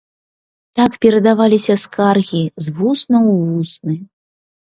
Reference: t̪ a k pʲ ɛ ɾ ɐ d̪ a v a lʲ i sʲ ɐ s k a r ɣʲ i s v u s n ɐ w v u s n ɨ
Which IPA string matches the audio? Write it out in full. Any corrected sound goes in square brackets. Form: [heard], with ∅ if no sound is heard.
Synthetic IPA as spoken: t̪ a k pʲ ɛ ɾ ɐ d̪ a v a lʲ i sʲ ɐ s k a r ɣʲ i [z] v u s n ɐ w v u s n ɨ